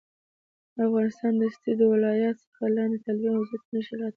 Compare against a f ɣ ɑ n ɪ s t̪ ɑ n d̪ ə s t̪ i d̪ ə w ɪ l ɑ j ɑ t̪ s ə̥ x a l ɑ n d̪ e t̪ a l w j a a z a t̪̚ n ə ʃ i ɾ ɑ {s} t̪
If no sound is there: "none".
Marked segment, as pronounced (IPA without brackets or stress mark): none